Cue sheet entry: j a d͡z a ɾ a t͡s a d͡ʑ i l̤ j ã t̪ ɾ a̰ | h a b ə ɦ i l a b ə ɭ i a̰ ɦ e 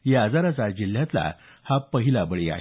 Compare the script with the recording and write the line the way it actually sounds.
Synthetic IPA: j a d͡z a ɾ a t͡s a d͡ʑ i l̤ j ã t̪ l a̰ | h a p ə ɦ i l a b ə ɭ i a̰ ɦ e